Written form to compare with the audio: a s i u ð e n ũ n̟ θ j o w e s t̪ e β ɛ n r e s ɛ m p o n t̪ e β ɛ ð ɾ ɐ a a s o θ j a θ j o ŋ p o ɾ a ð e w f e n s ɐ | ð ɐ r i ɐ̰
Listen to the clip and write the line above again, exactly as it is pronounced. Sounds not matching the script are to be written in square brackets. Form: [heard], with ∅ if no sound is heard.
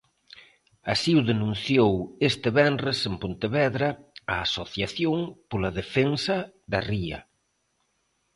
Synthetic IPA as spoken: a s i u ð e n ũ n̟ θ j o w e s t̪ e β ɛ n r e s [e] m p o n t̪ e β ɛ ð ɾ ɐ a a s o θ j a θ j o ŋ p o [l] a ð e [∅] f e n s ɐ | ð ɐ r i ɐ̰